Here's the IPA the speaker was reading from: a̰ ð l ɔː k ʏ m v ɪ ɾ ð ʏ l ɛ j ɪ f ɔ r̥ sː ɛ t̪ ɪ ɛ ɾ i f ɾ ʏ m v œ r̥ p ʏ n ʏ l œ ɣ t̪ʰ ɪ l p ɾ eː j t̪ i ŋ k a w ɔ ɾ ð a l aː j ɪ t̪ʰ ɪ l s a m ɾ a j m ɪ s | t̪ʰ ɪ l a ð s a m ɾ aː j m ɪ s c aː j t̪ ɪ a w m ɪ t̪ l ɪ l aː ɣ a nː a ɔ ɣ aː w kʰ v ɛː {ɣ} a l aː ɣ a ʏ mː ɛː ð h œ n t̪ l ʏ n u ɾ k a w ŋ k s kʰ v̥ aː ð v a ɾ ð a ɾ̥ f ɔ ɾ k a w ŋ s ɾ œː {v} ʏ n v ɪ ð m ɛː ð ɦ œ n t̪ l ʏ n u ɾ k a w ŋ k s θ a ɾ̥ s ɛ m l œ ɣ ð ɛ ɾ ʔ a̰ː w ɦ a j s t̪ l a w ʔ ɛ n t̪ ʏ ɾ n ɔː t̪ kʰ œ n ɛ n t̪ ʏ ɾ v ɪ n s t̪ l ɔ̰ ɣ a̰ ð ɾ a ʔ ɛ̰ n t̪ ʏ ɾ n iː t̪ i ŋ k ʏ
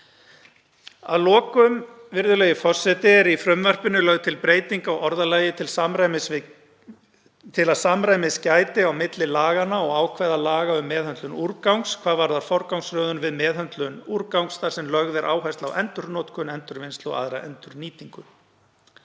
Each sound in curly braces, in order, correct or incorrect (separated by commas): incorrect, incorrect